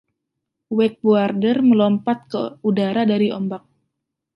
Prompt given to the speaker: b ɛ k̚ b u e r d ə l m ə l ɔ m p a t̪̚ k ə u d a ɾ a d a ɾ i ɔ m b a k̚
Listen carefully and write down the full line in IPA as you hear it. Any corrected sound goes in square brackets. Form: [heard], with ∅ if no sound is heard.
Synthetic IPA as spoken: [w] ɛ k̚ b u [a] r d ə [r] m ə l ɔ m p a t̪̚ k ə u d a ɾ a d a ɾ i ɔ m b a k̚